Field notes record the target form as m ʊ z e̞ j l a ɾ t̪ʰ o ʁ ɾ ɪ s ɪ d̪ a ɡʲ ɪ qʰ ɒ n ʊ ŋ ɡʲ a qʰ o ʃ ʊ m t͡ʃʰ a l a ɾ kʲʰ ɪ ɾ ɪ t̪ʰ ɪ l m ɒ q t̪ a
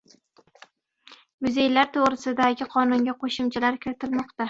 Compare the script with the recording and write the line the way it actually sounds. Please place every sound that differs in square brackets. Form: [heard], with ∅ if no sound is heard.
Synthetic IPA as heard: m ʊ z e̞ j l a ɾ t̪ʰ o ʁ ɾ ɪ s ɪ d̪ a ɡʲ ɪ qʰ ɒ n ʊ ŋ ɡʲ a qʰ o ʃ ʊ m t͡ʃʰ a l a ɾ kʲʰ ɪ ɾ ɪ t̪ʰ ɪ l m ɒ q t̪ a